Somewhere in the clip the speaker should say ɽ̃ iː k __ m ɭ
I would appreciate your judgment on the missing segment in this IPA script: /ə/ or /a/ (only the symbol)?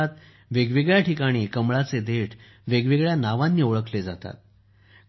ə